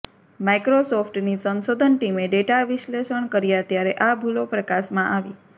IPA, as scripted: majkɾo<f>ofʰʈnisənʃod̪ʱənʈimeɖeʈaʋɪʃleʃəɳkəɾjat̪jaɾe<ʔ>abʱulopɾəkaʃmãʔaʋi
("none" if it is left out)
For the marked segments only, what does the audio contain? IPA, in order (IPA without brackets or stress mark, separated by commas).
s, ʔ